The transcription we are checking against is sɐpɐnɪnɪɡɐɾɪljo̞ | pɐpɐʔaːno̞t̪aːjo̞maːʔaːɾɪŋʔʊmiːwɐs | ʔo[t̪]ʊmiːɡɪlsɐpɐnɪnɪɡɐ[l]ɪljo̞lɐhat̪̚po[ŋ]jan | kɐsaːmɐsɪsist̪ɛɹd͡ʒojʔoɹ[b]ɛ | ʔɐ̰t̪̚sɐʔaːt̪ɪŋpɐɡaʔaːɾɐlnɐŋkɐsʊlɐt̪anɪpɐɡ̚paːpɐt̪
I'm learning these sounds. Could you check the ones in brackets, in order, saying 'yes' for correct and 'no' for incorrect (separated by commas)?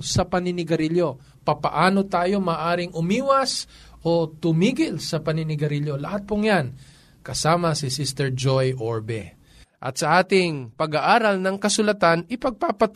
yes, no, yes, yes